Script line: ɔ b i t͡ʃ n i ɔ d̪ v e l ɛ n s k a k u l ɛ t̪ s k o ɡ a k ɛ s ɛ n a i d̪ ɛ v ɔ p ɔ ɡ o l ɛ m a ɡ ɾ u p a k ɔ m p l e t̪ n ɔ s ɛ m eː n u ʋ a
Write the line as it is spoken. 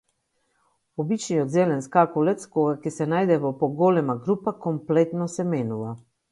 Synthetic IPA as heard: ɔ b i t͡ʃ n i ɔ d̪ z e l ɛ n s k a k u l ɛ t̪ s k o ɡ a k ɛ s ɛ n a j d̪ ɛ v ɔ p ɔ ɡ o l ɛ m a ɡ ɾ u p a k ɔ m p l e t̪ n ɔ s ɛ m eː n u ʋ a